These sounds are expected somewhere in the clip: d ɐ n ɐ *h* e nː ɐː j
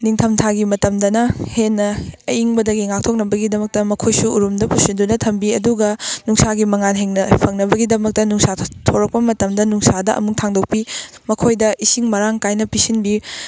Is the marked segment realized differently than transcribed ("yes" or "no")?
no